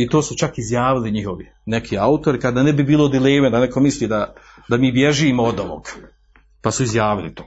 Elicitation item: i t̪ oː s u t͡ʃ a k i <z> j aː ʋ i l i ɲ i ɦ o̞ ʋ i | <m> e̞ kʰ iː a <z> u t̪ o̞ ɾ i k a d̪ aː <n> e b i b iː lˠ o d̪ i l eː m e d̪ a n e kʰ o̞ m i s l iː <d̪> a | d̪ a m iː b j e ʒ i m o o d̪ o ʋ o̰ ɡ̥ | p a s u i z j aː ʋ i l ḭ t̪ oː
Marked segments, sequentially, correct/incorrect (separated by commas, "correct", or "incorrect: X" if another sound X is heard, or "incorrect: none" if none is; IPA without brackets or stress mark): correct, incorrect: n, incorrect: none, correct, correct